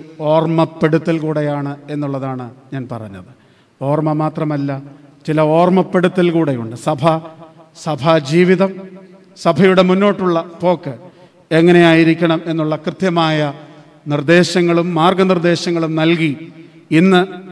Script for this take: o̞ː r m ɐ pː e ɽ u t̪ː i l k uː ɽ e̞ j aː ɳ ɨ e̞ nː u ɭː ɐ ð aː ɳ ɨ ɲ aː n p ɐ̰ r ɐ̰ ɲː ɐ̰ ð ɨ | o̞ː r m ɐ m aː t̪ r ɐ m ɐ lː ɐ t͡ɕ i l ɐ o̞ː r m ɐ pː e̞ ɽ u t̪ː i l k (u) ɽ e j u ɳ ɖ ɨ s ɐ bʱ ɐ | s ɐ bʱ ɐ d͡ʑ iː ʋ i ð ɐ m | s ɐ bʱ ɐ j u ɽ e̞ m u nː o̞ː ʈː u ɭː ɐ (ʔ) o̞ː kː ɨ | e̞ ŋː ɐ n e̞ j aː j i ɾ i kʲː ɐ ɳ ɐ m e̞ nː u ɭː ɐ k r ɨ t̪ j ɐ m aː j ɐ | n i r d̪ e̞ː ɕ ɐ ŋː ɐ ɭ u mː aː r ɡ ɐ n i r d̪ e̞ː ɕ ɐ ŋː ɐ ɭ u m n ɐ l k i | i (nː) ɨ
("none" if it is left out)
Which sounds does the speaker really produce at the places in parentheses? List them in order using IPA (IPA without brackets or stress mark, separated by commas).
uː, p, nː